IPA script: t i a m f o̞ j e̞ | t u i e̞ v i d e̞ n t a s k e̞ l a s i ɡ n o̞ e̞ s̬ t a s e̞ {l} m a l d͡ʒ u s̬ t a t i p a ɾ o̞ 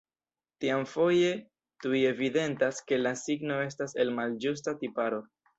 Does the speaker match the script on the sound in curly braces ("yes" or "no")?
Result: yes